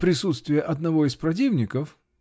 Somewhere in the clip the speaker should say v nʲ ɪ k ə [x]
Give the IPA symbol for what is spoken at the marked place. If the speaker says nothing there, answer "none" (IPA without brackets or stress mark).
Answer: f